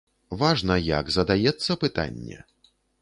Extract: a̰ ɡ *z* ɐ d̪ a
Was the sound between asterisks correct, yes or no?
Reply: yes